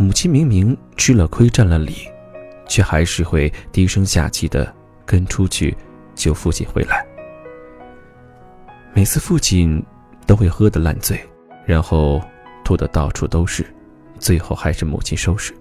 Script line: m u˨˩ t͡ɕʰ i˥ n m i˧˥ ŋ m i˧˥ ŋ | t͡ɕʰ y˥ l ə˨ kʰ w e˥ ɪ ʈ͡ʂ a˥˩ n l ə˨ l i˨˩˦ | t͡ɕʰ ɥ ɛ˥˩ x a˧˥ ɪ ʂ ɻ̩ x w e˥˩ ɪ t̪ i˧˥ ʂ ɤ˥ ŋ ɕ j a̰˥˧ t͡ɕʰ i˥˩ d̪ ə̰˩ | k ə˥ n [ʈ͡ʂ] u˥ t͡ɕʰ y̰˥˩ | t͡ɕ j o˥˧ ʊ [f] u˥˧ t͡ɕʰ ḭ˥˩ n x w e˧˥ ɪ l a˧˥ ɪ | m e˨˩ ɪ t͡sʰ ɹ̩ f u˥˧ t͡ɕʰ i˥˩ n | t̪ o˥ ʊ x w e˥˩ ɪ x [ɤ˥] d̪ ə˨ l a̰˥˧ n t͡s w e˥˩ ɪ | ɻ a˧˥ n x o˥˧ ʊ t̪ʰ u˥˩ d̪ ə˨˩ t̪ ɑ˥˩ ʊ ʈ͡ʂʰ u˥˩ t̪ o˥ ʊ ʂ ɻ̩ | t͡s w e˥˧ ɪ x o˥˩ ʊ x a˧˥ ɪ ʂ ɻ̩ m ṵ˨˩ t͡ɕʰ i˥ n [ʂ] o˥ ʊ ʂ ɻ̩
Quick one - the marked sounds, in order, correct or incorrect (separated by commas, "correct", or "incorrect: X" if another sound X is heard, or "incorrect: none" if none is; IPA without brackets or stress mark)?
incorrect: ʈ͡ʂʰ, correct, correct, correct